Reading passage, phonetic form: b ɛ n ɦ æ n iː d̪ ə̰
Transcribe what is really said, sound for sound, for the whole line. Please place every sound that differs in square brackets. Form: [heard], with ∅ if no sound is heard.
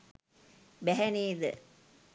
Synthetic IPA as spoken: b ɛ [∅] ɦ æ n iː d̪ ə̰